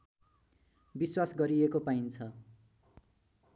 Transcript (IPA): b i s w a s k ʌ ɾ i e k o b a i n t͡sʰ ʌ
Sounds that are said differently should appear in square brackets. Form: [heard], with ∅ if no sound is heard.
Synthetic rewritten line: b i s w a s [ɡ] ʌ ɾ i e k o [p] a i n t͡sʰ ʌ

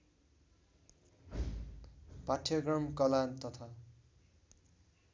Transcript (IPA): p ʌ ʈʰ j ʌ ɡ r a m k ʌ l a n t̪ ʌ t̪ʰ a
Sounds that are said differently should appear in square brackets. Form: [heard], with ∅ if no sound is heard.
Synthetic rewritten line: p [a] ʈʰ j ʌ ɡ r [ʌ] m k ʌ l a n t̪ ʌ t̪ʰ a

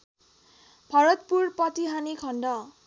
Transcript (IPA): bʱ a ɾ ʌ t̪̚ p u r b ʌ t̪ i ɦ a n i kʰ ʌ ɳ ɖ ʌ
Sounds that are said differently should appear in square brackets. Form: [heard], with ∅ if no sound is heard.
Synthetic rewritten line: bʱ [ʌ] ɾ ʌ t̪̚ p u r [p] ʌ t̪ i ɦ a n i kʰ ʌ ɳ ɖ ʌ

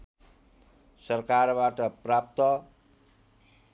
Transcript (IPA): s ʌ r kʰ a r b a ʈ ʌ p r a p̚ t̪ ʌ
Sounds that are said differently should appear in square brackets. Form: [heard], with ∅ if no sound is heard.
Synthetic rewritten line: s ʌ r [k] a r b a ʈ ʌ p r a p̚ t̪ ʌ

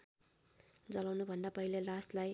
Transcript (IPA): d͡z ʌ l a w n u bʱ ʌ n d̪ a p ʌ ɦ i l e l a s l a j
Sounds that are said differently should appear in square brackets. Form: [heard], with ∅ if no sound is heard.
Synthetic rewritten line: d͡z ʌ l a w n u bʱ ʌ n d̪ a p ʌ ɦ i l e l a s l a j

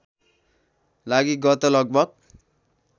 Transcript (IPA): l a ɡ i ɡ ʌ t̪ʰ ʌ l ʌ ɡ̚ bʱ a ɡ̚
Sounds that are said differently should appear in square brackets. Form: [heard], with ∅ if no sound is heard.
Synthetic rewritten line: l a ɡ i ɡ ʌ [t̪] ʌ l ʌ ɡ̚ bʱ [ʌ] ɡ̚

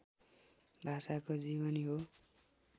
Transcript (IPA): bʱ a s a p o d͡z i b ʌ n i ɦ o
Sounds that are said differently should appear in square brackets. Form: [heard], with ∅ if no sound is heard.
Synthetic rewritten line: bʱ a s a [k] o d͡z i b ʌ n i ɦ o

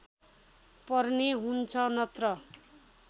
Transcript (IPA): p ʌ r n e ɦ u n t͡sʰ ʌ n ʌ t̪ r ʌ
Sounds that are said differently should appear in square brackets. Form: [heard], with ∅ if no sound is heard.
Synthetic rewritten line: p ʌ r n e ɦ u n t͡sʰ ʌ n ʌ t̪ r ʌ

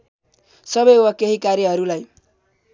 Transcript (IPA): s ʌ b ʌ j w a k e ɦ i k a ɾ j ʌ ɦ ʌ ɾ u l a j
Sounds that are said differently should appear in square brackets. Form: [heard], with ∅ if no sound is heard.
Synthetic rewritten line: s ʌ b ʌ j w a k e ɦ i k a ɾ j ʌ ɦ ʌ ɾ u l a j

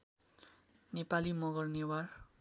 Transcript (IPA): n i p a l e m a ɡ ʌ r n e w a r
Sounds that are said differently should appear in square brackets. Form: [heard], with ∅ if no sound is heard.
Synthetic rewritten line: n [e] p a l [i] m [ʌ] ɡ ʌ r n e w a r

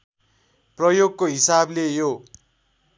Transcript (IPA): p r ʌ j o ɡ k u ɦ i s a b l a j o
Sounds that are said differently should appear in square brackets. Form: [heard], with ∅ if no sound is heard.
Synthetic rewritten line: p r ʌ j o ɡ k [o] ɦ i s a b l [e] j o

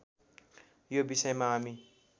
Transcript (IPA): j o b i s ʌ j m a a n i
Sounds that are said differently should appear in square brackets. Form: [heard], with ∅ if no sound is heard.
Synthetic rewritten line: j o b i s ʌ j m a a [m] i

